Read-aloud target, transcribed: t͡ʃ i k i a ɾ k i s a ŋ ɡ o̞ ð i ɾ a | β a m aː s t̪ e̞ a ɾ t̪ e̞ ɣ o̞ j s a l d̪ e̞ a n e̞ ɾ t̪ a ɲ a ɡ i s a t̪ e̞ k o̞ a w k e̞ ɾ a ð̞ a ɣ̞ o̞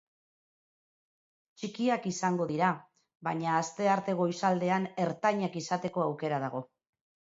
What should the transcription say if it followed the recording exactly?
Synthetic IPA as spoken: t͡ʃ i k i a k i s a ŋ ɡ o̞ ð i ɾ a | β a ɲ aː s t̪ e̞ a ɾ t̪ e̞ ɣ o̞ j s a l d̪ e̞ a n e̞ ɾ t̪ a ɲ a k i s a t̪ e̞ k o̞ a w k e̞ ɾ a ð̞ a ɣ̞ o̞